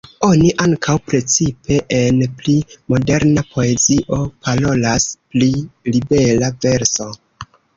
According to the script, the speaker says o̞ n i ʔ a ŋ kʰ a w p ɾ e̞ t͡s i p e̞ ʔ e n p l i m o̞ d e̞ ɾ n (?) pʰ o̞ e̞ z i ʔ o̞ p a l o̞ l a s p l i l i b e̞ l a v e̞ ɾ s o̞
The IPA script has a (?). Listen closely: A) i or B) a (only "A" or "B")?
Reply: B